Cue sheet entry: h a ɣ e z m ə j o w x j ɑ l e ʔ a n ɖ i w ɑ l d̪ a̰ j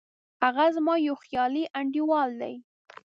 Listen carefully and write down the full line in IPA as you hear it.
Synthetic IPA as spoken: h a ɣ a z m ɑ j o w x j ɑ l i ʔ a ɳ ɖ i w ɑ l d̪ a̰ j